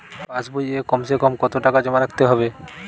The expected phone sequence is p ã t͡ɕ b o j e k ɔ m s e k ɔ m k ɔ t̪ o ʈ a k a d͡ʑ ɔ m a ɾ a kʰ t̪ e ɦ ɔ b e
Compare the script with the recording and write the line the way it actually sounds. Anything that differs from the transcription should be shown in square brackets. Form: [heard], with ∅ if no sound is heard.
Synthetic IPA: p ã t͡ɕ b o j e k ɔ m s e k ɔ m k ɔ t̪ o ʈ a k a d͡ʑ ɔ m a ɾ a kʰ t̪ e ɦ ɔ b e